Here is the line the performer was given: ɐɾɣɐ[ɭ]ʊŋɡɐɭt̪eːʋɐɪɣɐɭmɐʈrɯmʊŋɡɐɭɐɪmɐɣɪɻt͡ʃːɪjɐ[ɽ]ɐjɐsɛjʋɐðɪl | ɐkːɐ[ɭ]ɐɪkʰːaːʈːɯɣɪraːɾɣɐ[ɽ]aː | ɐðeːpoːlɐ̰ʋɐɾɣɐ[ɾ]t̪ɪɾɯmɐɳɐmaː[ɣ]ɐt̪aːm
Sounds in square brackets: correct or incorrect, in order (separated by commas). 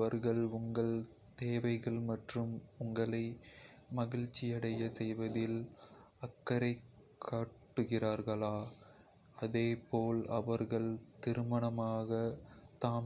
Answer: correct, correct, incorrect, incorrect, incorrect, correct